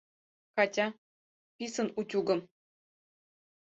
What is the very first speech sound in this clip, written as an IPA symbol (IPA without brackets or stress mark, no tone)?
k